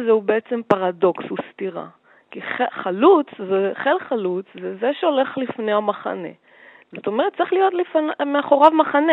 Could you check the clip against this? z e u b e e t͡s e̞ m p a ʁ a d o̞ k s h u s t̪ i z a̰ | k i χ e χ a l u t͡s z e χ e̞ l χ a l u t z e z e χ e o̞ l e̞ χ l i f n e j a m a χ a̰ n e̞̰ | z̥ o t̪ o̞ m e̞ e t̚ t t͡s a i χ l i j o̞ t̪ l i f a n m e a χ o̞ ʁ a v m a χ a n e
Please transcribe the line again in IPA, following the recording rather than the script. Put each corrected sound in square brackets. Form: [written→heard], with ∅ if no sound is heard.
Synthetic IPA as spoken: z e u b e e t͡s e̞ m p a ʁ a d o̞ k s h u s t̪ i [z→ʁ] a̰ | k i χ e χ a l u t͡s z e χ e̞ l χ a l u [t→t͡s] z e z e [χ→ʃ] e o̞ l e̞ χ l i f n e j a m a χ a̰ n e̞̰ | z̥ o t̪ o̞ m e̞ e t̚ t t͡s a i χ l i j o̞ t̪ l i f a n m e a χ o̞ ʁ a v m a χ a n e